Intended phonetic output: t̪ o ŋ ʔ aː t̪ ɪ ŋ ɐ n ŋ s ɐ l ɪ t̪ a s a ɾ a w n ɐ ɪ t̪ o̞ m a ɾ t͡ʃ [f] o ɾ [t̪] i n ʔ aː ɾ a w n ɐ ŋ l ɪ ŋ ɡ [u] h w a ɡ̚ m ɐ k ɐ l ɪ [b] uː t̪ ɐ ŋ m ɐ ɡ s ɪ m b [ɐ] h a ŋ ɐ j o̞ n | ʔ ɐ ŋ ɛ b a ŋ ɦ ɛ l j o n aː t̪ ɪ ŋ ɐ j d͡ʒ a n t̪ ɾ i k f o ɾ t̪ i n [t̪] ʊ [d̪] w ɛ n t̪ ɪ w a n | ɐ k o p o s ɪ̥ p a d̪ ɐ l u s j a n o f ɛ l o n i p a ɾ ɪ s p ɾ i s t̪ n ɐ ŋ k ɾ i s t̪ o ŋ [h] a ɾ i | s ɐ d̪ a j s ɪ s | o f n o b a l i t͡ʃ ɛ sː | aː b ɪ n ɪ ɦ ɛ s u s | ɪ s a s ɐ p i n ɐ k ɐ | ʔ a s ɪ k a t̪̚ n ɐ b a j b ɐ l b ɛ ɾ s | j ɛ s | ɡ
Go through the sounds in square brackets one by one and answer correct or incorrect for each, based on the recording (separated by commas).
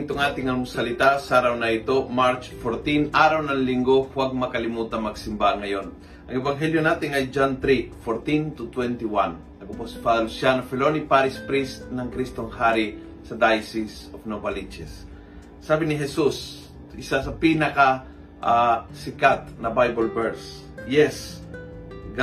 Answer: correct, correct, incorrect, incorrect, incorrect, correct, incorrect, correct